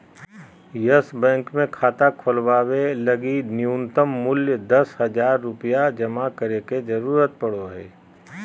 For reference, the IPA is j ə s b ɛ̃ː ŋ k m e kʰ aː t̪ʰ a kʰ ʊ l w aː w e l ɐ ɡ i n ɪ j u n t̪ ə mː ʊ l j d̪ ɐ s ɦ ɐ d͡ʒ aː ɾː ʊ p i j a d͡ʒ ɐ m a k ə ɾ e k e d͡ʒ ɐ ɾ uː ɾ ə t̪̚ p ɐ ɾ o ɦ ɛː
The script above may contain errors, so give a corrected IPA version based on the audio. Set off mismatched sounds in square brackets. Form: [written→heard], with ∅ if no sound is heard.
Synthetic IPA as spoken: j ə s b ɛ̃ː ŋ k m [e→ẽ] kʰ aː [t̪ʰ→t̪] a kʰ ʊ l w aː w e l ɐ ɡ i n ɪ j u n t̪ ə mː ʊ l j d̪ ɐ s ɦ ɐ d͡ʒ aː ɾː ʊ p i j a d͡ʒ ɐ m a k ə ɾ e k e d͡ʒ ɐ ɾ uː ɾ ə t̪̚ p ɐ [ɾ→ɽ] o ɦ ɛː

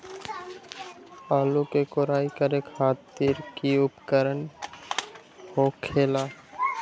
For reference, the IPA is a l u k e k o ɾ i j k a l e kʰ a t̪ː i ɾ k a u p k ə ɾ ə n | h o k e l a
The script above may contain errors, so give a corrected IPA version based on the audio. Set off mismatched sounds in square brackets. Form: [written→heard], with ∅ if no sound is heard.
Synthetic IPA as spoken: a l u k e k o ɾ [i→a] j k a [l→ɾ] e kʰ a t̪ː i ɾ k [a→i] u p k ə ɾ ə n | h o [k→kʰ] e l a

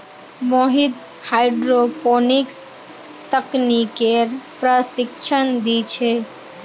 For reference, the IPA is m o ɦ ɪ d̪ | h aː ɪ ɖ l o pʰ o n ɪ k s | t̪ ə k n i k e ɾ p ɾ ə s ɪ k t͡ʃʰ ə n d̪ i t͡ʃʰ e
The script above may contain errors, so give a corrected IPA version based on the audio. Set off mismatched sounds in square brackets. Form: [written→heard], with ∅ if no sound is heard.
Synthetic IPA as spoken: m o ɦ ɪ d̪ | h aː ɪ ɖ [l→ɾ] o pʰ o n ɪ k s | t̪ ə k n i k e ɾ p ɾ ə s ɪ k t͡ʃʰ ə n d̪ i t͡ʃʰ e

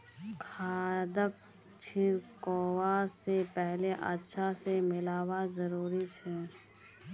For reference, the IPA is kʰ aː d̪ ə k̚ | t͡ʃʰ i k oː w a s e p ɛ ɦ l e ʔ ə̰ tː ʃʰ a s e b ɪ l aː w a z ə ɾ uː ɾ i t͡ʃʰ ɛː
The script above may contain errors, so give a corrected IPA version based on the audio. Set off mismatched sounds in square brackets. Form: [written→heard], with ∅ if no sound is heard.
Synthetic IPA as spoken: kʰ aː d̪ ə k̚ | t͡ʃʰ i k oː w a s e p ɛ ɦ l e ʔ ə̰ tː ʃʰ a s e [b→m] ɪ l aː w a z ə ɾ uː ɾ i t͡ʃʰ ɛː

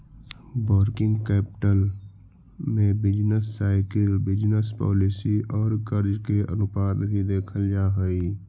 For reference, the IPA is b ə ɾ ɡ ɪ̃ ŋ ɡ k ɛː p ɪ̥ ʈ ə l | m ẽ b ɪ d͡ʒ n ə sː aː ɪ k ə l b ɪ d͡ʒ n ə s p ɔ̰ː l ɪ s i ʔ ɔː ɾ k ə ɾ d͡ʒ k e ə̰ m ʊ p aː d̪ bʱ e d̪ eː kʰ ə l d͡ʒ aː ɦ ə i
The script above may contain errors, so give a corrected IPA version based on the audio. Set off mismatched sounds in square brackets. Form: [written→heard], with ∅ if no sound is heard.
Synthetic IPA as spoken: b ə ɾ [ɡ→k] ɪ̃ ŋ ɡ k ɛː p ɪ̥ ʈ ə l | m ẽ b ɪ d͡ʒ n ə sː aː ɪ k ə l b ɪ d͡ʒ n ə s p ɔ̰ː l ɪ s i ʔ ɔː ɾ k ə ɾ d͡ʒ k e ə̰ [m→n] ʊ p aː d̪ bʱ [e→i] d̪ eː kʰ ə l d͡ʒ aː ɦ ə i

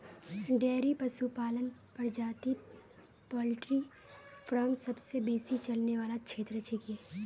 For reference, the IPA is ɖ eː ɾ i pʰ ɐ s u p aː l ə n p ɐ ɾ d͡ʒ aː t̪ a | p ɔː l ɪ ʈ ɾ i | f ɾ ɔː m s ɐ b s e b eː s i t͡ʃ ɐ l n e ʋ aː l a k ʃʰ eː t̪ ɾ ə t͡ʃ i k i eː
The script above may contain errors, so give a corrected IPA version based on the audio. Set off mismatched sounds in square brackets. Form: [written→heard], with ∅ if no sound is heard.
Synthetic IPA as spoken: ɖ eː ɾ i [pʰ→p] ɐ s u p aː l ə n p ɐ ɾ d͡ʒ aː t̪ [a→i] | p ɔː l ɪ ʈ ɾ i | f ɾ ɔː m s ɐ b s e b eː s i t͡ʃ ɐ l n e ʋ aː l a k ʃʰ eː t̪ ɾ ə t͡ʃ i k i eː

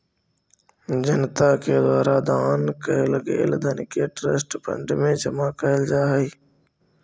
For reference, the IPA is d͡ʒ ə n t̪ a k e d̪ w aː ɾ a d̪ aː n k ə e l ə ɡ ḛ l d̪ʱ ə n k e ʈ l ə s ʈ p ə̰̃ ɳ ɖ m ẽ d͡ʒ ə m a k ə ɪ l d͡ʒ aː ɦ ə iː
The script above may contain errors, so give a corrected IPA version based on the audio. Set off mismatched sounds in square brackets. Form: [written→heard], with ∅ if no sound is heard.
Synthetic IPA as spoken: d͡ʒ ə n t̪ a k e d̪ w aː ɾ a d̪ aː n k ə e l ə ɡ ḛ l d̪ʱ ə n k e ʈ [l→ɾ] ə s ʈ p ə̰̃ ɳ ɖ m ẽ d͡ʒ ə m a k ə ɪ l d͡ʒ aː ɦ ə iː

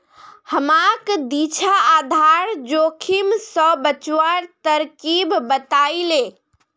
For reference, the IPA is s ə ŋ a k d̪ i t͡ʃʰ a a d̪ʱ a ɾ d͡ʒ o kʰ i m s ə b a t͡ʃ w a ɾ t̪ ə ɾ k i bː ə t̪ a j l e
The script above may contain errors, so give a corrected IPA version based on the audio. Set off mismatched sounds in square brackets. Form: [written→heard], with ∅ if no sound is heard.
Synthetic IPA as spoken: [s→h] ə [ŋ→m] a k d̪ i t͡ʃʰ a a d̪ʱ a ɾ d͡ʒ o kʰ i m s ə b [a→ə] t͡ʃ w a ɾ t̪ ə ɾ k i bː ə t̪ a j l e

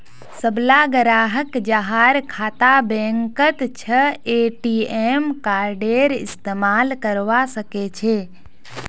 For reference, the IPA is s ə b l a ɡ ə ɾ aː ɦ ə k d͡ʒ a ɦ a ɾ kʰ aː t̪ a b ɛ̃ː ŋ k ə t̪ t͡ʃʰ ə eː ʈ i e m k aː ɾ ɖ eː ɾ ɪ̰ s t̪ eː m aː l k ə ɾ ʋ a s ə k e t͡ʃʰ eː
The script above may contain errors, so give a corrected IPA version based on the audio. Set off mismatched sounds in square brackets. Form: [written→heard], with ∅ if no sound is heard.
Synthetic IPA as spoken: s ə b l a ɡ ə ɾ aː ɦ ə k d͡ʒ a ɦ a ɾ kʰ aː t̪ a b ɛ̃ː ŋ k ə t̪ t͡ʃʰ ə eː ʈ i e m k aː ɾ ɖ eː ɾ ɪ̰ s t̪ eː m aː l k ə ɾ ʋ a s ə k e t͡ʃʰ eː

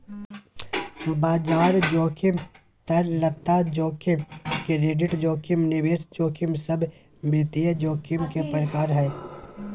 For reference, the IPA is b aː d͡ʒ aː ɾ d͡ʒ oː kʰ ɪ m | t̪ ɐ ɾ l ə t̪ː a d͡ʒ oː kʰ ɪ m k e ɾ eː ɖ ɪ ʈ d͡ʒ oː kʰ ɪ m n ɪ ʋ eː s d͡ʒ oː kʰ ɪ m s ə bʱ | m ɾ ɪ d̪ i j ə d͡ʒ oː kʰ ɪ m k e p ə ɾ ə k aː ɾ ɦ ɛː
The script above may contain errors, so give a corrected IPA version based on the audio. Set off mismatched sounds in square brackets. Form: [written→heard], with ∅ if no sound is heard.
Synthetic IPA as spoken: b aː d͡ʒ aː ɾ d͡ʒ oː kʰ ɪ m | t̪ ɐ ɾ l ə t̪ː a d͡ʒ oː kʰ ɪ m k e ɾ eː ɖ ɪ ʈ d͡ʒ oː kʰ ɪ m n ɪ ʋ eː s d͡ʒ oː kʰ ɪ m s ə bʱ | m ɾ ɪ [d̪→t̪] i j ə d͡ʒ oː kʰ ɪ m k e p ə ɾ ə k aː ɾ ɦ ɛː

